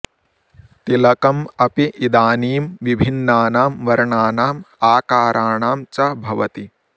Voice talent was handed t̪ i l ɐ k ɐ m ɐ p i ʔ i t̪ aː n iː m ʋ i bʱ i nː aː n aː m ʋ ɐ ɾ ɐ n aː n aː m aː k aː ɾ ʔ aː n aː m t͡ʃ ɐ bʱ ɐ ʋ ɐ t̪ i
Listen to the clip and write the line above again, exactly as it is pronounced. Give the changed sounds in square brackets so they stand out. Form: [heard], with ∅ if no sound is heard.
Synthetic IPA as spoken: t̪ i l ɐ k ɐ m ɐ p i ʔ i [d̪] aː n iː m ʋ i bʱ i nː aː n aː m ʋ ɐ ɾ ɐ [ɳ] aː n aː m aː k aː ɾ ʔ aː [ɳ] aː m t͡ʃ ɐ bʱ ɐ ʋ ɐ t̪ i